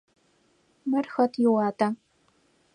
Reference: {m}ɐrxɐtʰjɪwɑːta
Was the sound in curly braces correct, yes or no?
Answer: yes